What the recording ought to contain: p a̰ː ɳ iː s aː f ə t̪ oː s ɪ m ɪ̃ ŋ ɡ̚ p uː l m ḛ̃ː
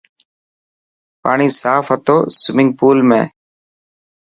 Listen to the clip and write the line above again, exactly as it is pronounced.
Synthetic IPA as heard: p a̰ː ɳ iː s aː f ə t̪ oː s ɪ m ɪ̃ ŋ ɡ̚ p uː l m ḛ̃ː